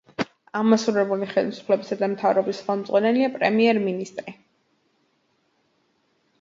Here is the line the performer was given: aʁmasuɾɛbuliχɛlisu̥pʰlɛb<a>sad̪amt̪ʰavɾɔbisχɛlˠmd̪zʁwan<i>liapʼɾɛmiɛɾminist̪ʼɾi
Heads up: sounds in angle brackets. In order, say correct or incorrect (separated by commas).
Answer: incorrect, incorrect